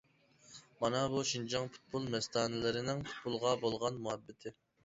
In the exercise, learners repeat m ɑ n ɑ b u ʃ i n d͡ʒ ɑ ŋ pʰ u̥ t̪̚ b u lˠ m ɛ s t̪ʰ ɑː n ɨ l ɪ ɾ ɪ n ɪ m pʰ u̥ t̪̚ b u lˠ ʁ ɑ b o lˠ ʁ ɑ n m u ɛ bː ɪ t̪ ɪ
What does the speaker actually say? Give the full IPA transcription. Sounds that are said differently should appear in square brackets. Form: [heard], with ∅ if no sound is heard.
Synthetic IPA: m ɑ n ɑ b u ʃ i n d͡ʒ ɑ ŋ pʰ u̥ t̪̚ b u lˠ m ɛ s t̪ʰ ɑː n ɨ l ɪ ɾ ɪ n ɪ [ŋ] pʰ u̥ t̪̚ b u lˠ ʁ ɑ b o lˠ ʁ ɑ n m u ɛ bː ɪ [t̪ʰ] ɪ